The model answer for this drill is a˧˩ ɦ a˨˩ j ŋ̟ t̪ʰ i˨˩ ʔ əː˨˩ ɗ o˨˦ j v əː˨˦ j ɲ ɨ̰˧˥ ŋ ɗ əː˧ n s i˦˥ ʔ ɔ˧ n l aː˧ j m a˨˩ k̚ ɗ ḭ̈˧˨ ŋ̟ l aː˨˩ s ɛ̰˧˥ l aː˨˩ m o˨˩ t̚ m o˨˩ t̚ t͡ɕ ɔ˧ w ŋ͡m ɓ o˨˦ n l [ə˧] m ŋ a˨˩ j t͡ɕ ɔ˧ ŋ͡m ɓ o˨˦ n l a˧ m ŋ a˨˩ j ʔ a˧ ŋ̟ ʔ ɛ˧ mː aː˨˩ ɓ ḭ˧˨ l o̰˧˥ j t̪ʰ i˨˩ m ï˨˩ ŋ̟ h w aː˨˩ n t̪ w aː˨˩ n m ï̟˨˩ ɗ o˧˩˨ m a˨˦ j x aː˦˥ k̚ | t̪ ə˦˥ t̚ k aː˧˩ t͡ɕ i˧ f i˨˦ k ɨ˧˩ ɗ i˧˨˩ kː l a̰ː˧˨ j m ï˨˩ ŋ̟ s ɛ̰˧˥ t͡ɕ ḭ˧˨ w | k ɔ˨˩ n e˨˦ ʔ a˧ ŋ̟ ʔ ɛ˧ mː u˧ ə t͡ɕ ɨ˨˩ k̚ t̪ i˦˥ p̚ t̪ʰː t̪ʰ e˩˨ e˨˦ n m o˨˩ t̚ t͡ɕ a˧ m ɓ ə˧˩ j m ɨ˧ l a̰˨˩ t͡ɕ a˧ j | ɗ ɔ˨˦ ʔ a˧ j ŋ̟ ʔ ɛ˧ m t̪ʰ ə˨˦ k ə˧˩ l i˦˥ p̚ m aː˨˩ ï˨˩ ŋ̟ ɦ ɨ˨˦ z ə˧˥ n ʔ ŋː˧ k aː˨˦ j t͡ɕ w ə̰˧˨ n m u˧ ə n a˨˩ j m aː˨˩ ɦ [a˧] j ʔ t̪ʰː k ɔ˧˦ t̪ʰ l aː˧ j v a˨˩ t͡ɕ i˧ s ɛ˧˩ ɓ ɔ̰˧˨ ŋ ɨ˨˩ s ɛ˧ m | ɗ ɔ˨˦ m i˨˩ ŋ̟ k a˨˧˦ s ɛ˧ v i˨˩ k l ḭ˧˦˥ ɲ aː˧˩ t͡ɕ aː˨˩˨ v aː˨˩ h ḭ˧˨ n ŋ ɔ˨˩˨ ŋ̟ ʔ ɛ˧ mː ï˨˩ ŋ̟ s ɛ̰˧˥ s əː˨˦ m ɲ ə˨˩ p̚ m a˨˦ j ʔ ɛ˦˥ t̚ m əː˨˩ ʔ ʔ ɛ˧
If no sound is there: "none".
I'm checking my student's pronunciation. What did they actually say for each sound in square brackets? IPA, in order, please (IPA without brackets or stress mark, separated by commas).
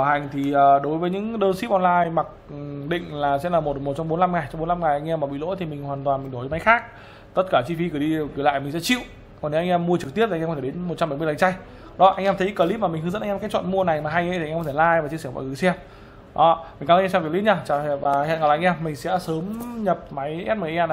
a˧, a˧